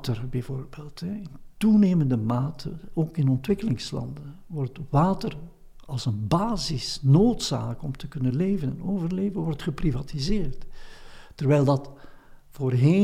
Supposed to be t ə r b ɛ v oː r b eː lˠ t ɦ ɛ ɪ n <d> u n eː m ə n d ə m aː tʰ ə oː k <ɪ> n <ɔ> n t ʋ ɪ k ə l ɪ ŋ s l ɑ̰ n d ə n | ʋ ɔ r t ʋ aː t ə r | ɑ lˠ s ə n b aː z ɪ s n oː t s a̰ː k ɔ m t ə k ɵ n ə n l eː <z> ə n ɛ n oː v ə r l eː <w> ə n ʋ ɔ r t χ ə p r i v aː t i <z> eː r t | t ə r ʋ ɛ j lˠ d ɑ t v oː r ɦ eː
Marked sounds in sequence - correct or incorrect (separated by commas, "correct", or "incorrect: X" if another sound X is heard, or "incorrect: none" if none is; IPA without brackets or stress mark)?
incorrect: t, correct, correct, incorrect: v, incorrect: v, correct